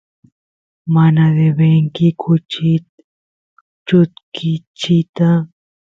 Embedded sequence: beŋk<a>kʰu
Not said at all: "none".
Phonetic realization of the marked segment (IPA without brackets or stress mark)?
i